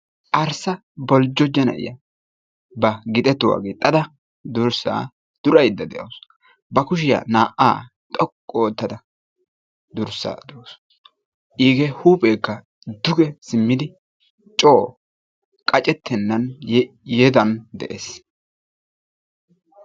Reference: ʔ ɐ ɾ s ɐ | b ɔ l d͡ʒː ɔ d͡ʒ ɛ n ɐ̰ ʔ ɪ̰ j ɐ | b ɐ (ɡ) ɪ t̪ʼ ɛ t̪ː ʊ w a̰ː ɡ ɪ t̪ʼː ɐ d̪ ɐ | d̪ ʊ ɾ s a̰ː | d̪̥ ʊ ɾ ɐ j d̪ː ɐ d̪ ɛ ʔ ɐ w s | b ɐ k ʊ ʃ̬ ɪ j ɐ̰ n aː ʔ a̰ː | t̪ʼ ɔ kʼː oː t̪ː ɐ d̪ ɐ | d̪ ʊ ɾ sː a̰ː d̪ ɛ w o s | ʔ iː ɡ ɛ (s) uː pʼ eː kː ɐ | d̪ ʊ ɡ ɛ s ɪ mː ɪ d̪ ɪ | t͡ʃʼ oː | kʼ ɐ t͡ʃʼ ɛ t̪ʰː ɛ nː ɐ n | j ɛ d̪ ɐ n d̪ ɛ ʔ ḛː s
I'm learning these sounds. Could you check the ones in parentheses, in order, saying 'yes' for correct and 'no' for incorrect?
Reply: yes, no

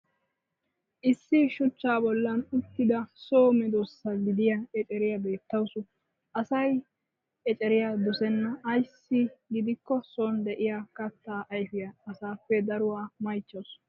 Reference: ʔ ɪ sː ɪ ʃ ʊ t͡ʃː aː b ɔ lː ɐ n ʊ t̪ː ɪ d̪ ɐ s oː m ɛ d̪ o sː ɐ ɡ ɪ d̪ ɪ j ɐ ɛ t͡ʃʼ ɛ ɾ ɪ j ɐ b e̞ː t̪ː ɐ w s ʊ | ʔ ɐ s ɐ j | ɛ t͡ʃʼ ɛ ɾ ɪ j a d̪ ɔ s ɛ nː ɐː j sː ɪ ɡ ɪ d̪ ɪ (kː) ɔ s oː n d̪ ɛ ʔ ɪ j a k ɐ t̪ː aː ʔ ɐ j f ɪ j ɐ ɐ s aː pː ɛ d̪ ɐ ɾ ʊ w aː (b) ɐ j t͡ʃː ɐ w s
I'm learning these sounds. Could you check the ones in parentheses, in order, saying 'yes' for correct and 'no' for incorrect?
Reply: yes, no

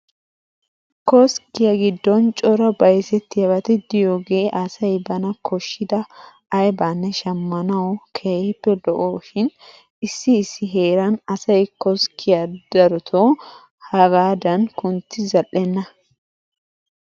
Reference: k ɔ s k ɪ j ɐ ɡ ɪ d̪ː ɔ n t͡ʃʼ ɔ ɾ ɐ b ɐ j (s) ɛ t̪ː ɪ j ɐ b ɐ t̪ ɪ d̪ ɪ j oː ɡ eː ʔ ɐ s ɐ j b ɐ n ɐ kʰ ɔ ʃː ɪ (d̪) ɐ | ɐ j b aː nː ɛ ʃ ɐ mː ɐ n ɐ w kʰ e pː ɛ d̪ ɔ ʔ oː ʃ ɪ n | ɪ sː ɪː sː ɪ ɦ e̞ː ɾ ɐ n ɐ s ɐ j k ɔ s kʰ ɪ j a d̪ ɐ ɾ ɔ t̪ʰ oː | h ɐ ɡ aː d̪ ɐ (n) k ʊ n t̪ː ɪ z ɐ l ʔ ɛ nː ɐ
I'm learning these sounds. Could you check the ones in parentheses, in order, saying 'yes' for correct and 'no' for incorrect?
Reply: yes, yes, yes

